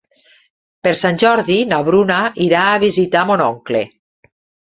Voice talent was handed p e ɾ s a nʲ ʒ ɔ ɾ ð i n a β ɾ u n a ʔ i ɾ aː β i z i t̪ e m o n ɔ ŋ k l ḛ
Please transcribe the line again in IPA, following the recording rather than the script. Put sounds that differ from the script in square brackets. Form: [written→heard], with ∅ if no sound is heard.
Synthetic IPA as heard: p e ɾ s a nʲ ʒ ɔ ɾ ð i n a β ɾ u n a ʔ i ɾ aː β i z i t̪ [e→a] m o n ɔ ŋ k l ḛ